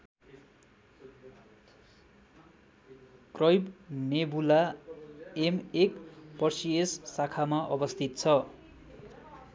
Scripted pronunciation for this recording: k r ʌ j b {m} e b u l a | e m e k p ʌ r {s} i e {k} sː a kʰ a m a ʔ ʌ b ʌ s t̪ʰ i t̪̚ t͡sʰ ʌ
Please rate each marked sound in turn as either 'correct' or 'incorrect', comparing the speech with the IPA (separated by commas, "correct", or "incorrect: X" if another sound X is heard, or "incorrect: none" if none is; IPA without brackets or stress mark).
incorrect: n, correct, incorrect: none